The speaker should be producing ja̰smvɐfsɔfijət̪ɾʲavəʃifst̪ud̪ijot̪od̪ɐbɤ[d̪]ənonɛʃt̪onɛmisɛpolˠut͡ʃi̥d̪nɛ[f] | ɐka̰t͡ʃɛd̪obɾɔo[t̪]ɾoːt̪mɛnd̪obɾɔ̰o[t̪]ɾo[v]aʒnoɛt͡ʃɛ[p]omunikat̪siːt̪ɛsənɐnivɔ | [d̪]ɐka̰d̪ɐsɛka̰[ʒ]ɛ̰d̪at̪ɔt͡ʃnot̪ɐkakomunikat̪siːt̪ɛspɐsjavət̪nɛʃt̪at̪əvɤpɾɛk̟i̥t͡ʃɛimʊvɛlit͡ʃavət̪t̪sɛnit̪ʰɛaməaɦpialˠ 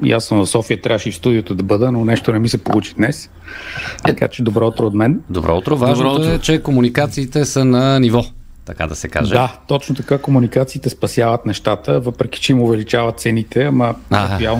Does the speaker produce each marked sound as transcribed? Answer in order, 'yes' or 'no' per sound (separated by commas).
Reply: yes, no, yes, yes, yes, no, no, yes